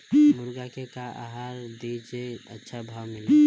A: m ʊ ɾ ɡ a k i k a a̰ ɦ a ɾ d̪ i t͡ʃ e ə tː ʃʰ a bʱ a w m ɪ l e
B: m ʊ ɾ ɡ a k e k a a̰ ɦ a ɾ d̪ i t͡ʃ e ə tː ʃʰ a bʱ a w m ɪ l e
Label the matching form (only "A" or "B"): B